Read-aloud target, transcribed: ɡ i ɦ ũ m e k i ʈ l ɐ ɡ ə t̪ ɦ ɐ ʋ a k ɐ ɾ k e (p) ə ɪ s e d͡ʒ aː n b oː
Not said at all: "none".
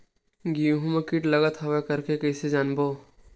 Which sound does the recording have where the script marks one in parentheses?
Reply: k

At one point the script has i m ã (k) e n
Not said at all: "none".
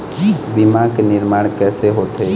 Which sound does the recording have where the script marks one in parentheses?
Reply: k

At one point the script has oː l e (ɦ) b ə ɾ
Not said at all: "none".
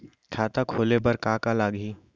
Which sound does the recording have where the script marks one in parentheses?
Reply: none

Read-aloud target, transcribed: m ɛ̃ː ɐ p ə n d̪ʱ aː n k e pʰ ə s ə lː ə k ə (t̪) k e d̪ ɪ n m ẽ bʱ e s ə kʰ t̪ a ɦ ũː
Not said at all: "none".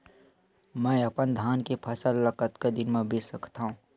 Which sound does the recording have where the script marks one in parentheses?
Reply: t̪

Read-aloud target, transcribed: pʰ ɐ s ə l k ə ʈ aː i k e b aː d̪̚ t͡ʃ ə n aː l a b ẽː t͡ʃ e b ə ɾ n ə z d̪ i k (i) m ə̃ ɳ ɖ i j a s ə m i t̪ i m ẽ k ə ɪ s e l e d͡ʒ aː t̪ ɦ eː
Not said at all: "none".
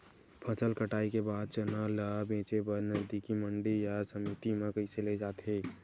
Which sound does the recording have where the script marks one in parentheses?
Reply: i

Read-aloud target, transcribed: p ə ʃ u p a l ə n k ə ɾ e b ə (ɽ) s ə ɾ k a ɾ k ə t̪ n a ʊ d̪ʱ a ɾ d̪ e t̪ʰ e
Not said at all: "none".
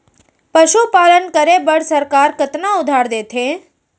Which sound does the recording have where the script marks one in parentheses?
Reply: ɽ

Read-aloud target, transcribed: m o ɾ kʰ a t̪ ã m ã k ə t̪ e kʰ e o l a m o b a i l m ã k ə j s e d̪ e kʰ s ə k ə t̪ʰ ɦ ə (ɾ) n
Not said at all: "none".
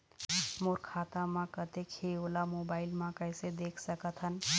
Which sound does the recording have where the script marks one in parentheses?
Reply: none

